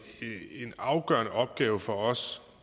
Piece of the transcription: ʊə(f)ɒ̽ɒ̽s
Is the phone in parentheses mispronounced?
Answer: no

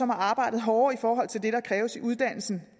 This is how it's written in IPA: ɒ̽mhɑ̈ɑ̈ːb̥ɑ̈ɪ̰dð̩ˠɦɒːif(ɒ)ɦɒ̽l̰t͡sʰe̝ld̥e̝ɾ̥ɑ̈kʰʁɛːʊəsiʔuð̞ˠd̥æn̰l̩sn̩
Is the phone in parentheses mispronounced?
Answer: yes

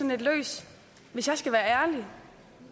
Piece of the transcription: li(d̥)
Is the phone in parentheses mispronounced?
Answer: yes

